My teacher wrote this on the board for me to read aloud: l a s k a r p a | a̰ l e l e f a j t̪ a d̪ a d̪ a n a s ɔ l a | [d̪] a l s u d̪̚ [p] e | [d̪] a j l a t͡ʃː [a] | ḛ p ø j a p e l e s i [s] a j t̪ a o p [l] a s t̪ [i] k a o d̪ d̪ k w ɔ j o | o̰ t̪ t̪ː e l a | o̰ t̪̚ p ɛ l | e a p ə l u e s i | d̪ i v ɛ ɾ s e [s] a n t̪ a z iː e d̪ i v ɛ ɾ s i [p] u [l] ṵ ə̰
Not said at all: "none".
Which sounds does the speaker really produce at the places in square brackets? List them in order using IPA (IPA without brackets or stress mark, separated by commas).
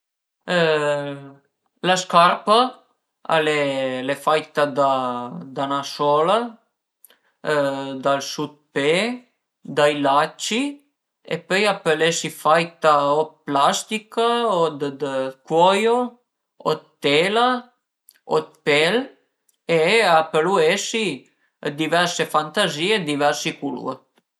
d̪, p, d̪, i, f, l, i, f, k, l